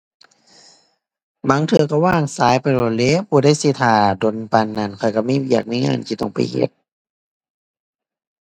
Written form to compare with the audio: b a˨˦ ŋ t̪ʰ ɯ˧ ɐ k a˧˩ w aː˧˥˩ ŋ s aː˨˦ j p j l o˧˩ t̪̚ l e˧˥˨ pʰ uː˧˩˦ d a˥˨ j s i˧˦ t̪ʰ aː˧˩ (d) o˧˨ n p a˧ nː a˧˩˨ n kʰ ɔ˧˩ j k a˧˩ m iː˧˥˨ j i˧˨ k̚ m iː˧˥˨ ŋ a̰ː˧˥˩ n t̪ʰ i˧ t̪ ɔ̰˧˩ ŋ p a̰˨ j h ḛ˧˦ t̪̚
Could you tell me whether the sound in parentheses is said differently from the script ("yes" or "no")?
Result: no